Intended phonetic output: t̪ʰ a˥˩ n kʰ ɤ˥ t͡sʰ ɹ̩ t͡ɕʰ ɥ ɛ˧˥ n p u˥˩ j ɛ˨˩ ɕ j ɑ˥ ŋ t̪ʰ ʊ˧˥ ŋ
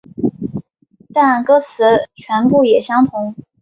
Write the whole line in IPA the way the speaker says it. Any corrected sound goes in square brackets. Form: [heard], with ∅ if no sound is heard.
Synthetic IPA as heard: [t̪] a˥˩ n [k] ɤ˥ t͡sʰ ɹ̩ t͡ɕʰ ɥ ɛ˧˥ n p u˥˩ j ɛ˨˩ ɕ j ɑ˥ ŋ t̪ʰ ʊ˧˥ ŋ